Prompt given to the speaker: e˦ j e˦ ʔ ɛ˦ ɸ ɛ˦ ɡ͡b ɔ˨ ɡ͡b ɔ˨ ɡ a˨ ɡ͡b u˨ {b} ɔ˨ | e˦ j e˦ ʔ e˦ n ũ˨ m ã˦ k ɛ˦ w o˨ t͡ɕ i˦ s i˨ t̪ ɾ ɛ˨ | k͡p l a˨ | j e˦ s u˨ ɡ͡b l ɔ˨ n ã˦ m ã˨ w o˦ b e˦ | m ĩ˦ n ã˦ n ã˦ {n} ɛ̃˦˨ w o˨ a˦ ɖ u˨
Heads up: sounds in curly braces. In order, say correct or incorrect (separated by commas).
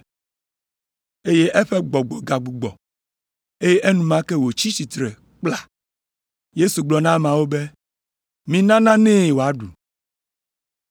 incorrect, correct